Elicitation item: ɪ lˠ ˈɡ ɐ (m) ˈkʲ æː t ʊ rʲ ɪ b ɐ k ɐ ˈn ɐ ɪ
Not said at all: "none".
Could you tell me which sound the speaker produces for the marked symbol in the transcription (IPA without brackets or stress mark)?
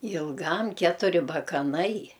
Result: m